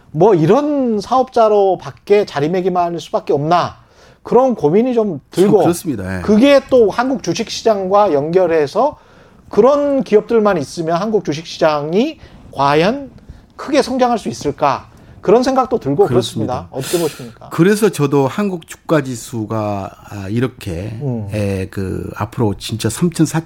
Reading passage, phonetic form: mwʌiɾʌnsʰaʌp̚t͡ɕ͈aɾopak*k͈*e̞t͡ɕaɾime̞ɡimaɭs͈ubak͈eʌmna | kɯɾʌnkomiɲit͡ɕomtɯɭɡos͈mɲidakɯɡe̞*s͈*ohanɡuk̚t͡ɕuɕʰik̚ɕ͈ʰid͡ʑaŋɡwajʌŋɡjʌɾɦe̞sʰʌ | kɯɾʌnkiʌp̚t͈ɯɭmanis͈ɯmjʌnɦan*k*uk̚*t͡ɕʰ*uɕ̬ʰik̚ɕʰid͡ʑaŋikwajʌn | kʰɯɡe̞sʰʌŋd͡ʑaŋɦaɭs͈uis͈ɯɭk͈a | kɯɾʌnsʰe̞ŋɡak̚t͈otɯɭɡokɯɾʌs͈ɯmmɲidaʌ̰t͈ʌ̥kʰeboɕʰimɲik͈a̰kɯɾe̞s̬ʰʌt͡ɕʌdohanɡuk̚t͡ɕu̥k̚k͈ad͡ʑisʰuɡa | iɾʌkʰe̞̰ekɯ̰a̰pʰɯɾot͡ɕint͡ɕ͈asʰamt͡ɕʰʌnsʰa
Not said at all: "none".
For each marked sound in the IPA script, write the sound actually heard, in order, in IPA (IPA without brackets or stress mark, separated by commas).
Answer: k͈, t͈, ɡ, t͡ɕ